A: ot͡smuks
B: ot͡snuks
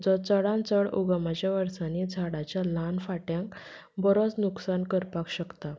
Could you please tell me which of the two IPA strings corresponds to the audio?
B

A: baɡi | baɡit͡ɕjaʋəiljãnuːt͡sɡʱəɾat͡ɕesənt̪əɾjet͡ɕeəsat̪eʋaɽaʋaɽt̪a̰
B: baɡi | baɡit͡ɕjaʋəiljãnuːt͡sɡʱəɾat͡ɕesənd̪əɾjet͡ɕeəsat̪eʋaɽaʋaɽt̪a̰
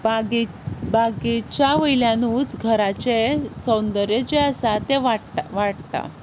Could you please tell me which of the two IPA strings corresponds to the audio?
B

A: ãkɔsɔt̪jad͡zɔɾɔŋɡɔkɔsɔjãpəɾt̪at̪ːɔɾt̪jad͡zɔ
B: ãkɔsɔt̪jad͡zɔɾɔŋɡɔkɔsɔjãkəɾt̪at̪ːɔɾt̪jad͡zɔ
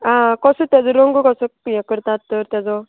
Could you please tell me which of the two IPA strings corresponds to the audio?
B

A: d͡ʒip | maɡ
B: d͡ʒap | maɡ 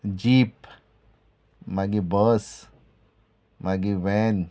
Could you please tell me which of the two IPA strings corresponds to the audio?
A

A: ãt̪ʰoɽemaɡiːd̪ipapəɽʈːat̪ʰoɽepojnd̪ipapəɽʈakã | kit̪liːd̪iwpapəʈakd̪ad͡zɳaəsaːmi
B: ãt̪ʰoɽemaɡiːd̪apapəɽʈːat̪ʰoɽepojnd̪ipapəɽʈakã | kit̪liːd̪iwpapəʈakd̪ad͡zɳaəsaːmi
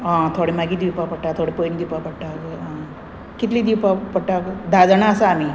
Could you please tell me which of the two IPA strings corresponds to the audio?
A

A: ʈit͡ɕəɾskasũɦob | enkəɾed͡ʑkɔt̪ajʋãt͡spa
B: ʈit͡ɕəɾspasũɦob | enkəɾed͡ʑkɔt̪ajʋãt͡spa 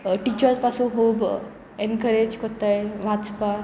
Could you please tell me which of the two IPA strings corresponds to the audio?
B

